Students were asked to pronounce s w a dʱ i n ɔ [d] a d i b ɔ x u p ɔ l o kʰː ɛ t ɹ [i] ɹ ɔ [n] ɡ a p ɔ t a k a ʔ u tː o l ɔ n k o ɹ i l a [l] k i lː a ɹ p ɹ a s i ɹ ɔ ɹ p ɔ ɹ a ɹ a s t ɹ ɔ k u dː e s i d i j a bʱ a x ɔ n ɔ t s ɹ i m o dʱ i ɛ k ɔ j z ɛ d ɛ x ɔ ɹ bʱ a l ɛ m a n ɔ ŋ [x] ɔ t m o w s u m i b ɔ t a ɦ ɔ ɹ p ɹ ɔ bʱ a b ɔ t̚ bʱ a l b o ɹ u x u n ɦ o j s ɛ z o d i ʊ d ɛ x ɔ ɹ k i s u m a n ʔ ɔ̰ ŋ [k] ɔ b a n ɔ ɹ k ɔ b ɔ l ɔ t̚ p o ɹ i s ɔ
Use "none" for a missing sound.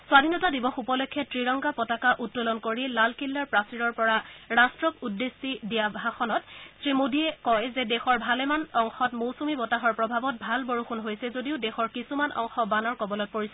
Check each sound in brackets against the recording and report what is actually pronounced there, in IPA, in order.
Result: t, i, ŋ, l, x, x

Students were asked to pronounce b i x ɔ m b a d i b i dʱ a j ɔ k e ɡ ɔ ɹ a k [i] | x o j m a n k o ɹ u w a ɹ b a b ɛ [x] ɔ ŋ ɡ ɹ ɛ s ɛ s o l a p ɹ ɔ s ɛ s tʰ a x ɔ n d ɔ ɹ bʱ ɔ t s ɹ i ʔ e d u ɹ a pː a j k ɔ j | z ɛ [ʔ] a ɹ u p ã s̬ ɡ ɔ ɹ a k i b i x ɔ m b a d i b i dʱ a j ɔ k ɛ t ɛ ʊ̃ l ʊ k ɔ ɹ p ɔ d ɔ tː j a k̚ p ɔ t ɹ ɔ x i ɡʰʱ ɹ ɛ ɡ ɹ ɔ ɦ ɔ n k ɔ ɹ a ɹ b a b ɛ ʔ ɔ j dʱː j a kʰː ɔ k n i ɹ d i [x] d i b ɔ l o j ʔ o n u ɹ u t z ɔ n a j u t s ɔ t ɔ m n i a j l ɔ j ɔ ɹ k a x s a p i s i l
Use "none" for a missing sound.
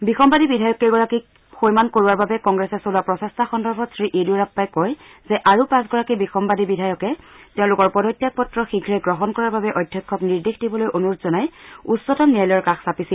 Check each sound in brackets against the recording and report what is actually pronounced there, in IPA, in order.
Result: i, k, ʔ, x

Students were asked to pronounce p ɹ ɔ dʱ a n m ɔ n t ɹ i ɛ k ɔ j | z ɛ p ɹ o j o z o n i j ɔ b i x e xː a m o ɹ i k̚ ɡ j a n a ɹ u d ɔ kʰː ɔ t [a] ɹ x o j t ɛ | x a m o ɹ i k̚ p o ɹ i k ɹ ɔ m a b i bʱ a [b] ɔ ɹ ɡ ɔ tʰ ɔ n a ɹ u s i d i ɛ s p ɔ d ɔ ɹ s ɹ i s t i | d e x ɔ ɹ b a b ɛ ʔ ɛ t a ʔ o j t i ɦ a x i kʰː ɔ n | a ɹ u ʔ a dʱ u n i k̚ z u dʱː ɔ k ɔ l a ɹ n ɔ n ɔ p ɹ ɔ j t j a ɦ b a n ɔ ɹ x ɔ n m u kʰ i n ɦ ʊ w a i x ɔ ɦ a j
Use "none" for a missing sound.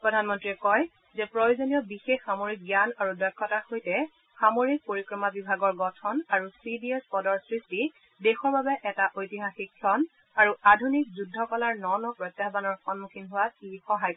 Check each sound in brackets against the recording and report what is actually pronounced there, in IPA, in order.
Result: a, ɡ

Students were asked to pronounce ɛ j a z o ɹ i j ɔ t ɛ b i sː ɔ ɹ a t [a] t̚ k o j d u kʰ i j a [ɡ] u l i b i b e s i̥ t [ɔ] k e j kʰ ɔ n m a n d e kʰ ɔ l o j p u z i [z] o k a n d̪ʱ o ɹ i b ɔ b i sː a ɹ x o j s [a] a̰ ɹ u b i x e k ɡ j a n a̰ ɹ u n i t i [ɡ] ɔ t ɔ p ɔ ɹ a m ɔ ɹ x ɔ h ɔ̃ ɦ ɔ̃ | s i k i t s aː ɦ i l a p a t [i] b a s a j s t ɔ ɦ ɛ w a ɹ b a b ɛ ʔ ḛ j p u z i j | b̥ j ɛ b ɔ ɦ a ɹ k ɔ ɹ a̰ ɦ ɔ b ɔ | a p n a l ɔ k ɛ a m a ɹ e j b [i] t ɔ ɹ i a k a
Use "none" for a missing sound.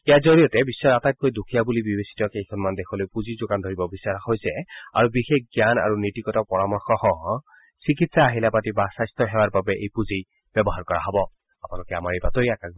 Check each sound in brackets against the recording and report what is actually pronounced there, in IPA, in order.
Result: a, b, ɔ, z, ɛ, k, i, a

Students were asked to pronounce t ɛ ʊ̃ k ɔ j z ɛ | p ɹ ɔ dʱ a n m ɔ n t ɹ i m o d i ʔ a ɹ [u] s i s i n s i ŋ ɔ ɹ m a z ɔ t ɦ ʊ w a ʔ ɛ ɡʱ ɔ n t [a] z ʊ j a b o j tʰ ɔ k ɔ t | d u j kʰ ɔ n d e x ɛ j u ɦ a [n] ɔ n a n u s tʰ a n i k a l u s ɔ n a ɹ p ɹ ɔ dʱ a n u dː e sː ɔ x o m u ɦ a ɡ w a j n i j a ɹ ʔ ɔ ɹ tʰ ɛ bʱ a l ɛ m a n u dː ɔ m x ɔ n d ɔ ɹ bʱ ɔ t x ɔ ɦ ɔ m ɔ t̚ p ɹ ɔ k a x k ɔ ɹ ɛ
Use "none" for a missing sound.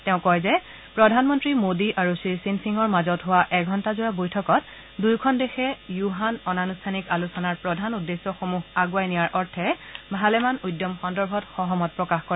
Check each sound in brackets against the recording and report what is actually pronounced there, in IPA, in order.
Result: u, a, n

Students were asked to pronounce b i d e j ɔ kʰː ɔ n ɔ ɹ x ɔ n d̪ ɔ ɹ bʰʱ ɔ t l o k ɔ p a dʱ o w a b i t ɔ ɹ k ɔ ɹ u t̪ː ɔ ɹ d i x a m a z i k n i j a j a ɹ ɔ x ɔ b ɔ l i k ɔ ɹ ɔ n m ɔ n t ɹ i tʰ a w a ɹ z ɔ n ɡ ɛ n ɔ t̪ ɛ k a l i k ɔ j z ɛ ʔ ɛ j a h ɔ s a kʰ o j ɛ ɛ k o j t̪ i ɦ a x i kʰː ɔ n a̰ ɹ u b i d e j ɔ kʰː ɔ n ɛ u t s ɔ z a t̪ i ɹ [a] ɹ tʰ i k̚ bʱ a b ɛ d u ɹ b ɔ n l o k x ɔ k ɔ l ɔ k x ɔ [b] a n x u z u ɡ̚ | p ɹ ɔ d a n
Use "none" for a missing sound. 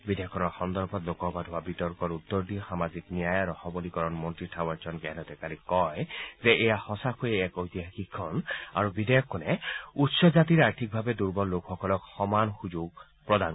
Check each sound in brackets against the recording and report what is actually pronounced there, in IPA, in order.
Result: a, m

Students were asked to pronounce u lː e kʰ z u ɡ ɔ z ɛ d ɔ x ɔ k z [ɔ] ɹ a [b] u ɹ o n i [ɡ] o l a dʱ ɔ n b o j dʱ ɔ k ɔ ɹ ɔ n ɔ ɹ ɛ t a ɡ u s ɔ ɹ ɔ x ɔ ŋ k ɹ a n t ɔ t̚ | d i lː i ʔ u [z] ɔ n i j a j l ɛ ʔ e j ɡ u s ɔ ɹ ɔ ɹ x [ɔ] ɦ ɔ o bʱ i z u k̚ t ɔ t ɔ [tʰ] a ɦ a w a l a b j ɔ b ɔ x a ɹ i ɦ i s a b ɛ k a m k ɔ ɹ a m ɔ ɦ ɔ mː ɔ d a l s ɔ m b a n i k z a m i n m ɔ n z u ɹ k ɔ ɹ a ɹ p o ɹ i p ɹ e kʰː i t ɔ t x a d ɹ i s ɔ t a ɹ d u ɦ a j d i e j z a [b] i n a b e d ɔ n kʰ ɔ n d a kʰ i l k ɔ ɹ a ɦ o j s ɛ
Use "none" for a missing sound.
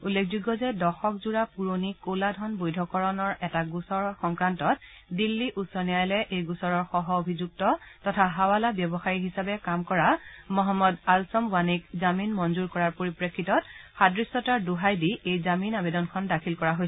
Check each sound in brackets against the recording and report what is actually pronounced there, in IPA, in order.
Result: u, p, k, s, ɔ, tʰ, m

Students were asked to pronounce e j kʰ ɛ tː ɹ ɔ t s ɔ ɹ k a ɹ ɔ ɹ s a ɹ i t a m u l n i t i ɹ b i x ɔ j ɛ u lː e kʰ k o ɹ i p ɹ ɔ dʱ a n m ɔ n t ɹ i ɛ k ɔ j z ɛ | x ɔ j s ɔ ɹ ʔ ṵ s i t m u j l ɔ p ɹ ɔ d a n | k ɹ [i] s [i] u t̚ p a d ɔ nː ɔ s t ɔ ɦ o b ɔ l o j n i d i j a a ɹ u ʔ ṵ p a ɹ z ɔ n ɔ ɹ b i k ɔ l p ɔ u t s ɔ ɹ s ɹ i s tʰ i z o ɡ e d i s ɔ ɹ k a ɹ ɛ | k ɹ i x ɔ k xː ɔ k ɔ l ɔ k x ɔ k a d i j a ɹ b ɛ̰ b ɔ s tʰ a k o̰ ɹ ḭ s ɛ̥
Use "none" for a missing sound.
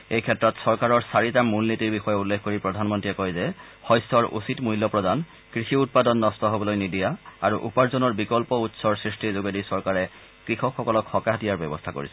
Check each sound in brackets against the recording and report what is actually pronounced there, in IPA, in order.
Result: i, i

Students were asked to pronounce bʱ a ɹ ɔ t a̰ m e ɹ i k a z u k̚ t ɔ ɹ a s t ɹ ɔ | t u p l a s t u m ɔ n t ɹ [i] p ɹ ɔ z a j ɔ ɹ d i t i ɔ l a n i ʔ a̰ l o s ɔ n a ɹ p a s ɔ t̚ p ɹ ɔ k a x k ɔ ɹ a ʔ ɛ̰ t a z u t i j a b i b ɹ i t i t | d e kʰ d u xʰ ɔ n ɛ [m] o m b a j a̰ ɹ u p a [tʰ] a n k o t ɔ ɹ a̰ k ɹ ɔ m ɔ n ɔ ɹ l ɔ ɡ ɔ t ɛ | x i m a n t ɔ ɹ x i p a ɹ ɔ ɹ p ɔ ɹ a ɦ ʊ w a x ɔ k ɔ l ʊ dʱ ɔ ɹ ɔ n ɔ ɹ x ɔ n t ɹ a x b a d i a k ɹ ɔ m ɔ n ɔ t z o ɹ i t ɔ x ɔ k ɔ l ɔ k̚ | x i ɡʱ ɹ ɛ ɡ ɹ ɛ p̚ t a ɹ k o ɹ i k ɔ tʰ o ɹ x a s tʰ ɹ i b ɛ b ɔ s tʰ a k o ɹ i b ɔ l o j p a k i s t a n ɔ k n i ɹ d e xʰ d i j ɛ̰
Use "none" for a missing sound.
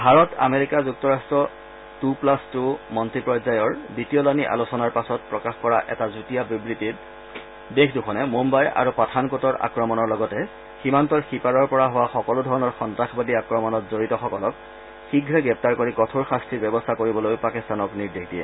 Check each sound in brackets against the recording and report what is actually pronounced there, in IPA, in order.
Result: i, m, tʰ

